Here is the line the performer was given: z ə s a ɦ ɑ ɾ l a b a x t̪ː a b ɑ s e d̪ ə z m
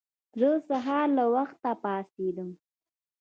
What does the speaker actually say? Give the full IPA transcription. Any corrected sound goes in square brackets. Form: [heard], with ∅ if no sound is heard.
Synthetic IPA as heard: z ə s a ɦ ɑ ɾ l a [w] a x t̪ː a [p] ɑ s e d̪ ə [∅] m